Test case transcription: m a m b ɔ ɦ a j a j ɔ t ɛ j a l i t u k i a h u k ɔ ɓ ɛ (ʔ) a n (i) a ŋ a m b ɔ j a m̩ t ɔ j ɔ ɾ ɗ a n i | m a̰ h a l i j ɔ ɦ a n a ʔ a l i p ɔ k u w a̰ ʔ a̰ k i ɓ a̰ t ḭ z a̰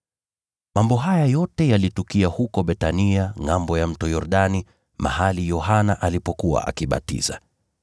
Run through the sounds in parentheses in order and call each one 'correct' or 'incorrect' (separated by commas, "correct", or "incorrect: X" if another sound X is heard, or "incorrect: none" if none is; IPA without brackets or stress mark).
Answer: incorrect: t, correct